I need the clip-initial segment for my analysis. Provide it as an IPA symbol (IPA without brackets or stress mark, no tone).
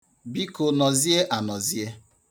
b